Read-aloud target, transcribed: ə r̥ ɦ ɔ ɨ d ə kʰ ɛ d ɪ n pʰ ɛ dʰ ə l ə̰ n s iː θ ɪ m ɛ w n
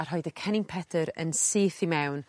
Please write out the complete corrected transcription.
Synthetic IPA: a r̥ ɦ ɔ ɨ d ə kʰ ɛ n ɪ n pʰ ɛ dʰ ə ɾ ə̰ n s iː θ i m ɛ w n